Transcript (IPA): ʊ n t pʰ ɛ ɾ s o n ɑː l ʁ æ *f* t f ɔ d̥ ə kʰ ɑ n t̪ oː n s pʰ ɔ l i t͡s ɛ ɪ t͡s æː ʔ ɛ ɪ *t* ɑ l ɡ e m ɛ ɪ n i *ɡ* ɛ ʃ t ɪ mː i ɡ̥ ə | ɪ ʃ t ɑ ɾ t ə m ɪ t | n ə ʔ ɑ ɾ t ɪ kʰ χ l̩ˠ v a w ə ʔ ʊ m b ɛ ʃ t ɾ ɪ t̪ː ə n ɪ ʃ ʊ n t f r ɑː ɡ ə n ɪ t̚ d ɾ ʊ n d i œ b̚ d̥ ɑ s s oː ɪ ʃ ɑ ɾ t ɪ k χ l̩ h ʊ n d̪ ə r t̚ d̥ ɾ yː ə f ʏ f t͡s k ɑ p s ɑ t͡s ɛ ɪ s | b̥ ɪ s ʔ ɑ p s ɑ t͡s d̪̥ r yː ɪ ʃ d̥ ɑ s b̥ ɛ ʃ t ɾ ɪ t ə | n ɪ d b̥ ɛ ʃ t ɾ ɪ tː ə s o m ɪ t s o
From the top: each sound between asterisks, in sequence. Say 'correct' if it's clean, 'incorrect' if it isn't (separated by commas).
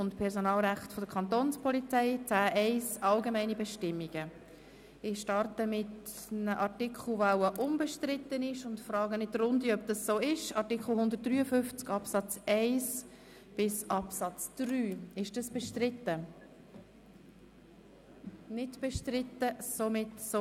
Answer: incorrect, incorrect, incorrect